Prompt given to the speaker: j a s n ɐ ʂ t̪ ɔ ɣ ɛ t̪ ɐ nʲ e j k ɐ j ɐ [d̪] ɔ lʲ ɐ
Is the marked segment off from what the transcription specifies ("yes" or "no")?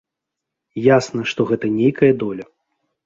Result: no